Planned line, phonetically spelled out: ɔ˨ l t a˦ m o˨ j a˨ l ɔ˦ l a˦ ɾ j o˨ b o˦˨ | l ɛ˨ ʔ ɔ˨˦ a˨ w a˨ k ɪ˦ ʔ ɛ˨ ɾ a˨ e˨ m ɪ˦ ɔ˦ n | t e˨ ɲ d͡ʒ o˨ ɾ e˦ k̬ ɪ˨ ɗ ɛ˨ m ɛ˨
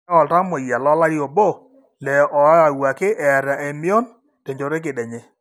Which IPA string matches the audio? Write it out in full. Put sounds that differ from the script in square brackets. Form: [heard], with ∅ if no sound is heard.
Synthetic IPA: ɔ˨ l t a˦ m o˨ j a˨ l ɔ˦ l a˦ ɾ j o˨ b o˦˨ | l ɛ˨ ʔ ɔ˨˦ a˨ w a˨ k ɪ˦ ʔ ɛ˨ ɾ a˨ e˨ m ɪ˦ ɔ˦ n | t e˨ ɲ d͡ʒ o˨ ɾ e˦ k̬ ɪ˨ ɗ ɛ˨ [ɲ] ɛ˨